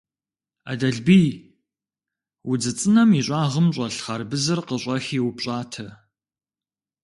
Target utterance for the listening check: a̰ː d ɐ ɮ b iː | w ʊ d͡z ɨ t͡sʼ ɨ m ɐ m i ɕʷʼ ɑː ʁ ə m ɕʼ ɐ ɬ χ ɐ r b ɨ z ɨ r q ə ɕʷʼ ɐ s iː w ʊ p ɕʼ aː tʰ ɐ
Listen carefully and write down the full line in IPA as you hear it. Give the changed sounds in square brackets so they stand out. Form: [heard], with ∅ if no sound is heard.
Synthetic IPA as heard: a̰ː d ɐ ɮ b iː | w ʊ d͡z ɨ t͡sʼ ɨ [n] ɐ m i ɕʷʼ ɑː ʁ ə m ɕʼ ɐ ɬ χ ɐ r b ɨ z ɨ r q ə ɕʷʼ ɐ [x] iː w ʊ p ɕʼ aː tʰ ɐ